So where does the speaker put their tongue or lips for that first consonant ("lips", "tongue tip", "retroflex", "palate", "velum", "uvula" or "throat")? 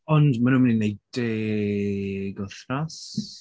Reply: tongue tip